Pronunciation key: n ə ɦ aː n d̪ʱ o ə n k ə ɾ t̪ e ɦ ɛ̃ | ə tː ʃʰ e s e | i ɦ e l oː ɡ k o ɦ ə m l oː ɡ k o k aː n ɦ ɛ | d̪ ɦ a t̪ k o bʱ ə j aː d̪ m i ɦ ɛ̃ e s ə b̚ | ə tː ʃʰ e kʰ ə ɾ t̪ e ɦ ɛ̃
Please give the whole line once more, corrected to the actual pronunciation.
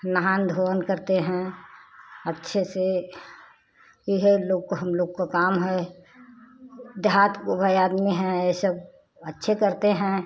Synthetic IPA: n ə ɦ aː n d̪ʱ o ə n k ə ɾ t̪ e ɦ ɛ̃ | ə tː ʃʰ e s e | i ɦ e l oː ɡ k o ɦ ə m l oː ɡ k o k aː m ɦ ɛ | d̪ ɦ a t̪ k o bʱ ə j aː d̪ m i ɦ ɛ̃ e s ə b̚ | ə tː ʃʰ e k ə ɾ t̪ e ɦ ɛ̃

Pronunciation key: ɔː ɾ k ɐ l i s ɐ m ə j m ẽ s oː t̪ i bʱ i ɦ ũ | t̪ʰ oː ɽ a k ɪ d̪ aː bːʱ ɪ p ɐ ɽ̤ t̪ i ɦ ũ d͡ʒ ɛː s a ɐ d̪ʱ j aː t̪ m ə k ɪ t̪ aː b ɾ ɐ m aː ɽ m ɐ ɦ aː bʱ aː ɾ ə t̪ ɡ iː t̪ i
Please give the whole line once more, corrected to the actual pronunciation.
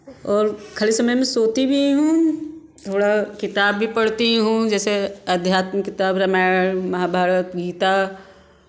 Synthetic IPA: ɔː ɾ kʰ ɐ l i s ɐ m ə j m ẽ s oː t̪ i bʱ i ɦ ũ | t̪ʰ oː ɽ a k ɪ t̪ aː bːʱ i p ɐ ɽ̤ t̪ i ɦ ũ d͡ʒ ɛː s e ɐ d̪ʱ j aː t̪ m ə k ɪ t̪ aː b ɾ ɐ m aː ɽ m ɐ ɦ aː bʱ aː ɾ ə t̪ ɡ iː t̪ a

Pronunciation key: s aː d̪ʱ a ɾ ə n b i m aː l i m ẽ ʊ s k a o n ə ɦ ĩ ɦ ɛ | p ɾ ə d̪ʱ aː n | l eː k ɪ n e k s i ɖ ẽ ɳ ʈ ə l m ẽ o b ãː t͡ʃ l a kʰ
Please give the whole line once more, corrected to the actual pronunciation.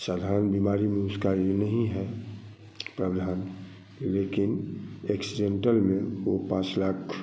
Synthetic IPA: s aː d̪ʱ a ɾ ə n b i m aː ɾ i m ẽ ʊ s k a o n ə ɦ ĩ ɦ ɛ | p ɾ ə d̪ʱ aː n | l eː k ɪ n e k s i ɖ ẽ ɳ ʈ ə l m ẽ o p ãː t͡ʃ l a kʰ

